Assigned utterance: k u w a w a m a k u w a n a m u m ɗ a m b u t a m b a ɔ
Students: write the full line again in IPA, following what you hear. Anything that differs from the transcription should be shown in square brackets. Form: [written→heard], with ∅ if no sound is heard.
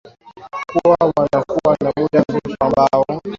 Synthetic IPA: k u w a w a [m→n] a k u w a n a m u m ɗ a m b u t a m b a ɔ

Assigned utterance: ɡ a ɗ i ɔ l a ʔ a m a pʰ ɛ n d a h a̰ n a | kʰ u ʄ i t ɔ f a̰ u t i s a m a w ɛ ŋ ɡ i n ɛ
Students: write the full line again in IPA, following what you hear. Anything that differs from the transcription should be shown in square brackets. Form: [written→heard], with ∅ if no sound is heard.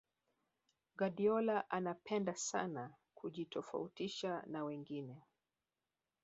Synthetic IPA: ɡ a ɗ i ɔ l a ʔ a [m→n] a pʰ ɛ n d a [h→s] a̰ n a | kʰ u ʄ i t ɔ f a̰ u t i [s→ʃ] a [m→n] a w ɛ ŋ ɡ i n ɛ

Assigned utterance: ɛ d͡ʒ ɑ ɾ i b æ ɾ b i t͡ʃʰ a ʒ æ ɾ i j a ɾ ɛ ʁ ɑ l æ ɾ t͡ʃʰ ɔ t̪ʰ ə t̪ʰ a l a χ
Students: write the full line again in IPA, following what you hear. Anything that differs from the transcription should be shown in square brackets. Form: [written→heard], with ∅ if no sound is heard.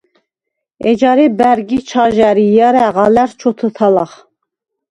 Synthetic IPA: ɛ d͡ʒ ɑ ɾ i b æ ɾ [b→ɡ] i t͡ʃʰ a ʒ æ ɾ i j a ɾ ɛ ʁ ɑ l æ ɾ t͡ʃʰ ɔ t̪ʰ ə t̪ʰ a l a χ

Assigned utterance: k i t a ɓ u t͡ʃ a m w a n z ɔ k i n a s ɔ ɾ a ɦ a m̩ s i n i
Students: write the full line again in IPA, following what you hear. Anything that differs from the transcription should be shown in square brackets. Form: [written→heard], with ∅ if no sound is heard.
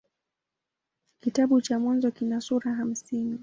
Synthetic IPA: k i t a ɓ u t͡ʃ a m w a n z ɔ k i n a s [ɔ→u] ɾ a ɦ a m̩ s i n i

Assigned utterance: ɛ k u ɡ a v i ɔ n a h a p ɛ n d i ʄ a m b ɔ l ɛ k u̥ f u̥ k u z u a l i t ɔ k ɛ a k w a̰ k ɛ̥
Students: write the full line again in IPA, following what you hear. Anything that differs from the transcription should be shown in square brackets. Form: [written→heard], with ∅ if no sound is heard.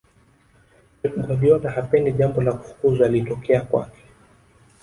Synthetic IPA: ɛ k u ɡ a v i ɔ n a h a p ɛ n d i ʄ a m b ɔ l [ɛ→a] k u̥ f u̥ k u z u a l i t ɔ k ɛ a k w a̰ k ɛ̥

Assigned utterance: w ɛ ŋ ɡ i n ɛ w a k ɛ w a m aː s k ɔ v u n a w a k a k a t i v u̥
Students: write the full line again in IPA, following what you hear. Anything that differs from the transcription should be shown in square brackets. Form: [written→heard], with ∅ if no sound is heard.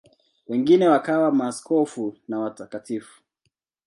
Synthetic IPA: w ɛ ŋ ɡ i n ɛ w a k [ɛ→a] w a m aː s k ɔ [v→f] u n a w a [k→t] a k a t i [v→f] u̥

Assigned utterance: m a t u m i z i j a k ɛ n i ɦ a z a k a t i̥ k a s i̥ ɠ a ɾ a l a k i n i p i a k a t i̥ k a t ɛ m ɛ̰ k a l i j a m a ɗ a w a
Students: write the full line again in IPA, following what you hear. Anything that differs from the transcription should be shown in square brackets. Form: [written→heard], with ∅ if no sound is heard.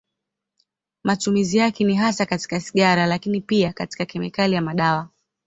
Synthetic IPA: m a t u m i z i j a k ɛ n i ɦ a [z→s] a k a t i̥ k a s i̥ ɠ a ɾ a l a k i n i p i a k a t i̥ k a [t→k] ɛ m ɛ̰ k a l i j a m a ɗ a w a

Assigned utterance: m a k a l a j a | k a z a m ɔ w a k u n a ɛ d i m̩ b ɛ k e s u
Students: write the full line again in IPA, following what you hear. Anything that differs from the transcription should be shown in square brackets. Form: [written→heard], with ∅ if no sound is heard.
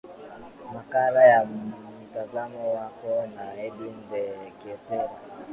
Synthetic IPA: m a k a l a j a | [k→t] a z a m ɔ w a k [u→ɔ] n a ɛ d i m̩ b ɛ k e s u

